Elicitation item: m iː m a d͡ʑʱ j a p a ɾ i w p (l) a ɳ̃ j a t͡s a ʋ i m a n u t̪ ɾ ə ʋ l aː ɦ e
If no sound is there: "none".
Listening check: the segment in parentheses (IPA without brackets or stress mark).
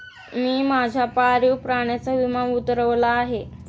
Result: ɾ